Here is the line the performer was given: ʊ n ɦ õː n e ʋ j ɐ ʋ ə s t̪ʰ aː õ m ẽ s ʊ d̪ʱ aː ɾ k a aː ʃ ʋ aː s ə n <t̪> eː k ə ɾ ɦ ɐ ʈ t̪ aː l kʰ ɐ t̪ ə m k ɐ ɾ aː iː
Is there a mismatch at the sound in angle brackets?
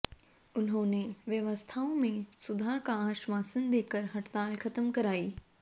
yes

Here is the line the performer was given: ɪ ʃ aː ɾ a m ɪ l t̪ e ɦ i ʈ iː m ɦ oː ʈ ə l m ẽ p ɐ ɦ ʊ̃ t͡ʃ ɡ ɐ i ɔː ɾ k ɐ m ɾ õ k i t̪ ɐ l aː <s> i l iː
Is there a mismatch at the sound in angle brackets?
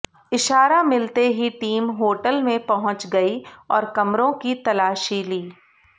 yes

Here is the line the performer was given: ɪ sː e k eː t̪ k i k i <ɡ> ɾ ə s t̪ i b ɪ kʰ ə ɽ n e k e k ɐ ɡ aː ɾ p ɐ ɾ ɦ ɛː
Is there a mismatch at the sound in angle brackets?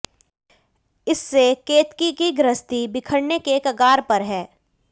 no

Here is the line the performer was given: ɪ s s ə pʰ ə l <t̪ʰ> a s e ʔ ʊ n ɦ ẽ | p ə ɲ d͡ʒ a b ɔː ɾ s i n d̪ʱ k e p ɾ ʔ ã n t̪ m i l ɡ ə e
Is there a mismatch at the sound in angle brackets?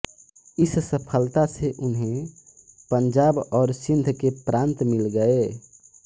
yes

